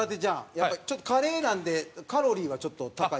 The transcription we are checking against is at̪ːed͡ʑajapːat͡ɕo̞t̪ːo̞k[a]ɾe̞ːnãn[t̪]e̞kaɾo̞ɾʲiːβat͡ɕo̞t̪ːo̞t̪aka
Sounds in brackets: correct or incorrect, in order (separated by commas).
correct, incorrect